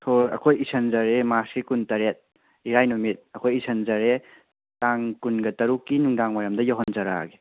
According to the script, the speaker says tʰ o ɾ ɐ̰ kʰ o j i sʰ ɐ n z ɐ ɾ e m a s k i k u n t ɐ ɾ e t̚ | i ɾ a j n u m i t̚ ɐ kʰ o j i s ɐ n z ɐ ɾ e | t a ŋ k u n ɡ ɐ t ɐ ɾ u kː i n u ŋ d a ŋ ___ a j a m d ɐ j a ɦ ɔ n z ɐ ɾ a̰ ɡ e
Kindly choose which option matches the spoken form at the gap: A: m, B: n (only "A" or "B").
A